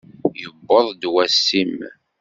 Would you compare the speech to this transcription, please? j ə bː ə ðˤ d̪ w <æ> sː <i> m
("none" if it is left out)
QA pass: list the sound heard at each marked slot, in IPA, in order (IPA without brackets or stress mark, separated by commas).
æ, i